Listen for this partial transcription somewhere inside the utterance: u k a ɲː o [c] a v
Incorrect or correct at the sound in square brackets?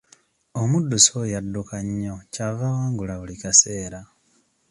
correct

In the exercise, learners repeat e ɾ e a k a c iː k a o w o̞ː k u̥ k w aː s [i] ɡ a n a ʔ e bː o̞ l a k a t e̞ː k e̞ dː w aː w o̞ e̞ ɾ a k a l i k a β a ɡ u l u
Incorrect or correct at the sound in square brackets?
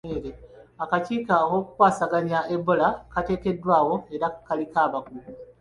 incorrect: a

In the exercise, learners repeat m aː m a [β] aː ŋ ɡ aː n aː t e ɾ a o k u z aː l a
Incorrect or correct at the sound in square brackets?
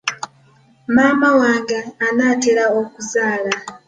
incorrect: w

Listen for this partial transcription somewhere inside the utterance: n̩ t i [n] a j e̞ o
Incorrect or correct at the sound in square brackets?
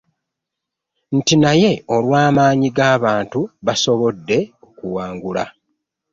correct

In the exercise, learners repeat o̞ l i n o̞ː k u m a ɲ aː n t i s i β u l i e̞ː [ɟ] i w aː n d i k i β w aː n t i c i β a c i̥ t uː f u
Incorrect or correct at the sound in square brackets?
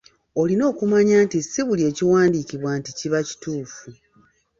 incorrect: c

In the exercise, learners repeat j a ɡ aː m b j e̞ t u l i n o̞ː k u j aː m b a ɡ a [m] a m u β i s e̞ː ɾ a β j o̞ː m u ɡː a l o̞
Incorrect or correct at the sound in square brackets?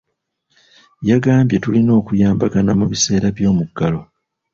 incorrect: n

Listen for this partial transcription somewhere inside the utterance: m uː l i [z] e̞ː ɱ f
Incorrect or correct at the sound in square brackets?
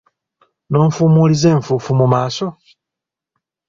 correct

